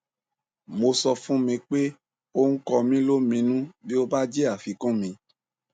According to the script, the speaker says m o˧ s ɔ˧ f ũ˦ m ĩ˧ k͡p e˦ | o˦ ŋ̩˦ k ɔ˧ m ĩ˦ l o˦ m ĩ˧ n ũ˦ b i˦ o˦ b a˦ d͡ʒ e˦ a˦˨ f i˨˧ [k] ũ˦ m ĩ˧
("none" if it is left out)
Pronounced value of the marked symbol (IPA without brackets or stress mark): k